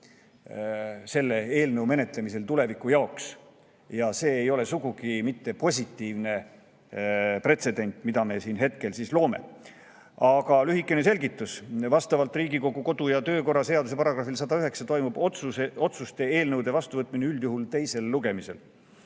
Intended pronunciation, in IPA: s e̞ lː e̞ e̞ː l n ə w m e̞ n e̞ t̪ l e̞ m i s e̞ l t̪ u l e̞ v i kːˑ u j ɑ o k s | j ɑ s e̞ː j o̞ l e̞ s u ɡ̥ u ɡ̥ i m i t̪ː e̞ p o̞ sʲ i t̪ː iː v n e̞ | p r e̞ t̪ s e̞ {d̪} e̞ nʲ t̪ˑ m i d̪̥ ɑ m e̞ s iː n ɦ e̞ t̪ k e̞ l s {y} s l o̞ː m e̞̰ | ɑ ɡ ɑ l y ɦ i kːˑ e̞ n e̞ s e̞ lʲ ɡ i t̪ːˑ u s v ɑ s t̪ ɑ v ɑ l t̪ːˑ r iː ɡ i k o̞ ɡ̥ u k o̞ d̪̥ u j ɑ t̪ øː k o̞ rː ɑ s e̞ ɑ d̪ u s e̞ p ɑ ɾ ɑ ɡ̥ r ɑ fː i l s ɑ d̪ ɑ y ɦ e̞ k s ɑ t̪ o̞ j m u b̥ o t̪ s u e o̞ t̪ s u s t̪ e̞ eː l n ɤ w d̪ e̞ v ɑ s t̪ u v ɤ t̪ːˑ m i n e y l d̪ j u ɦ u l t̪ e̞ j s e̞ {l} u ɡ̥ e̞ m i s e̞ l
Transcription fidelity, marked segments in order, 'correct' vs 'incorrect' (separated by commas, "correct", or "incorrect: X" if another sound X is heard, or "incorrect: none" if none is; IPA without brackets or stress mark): correct, incorrect: i, incorrect: lː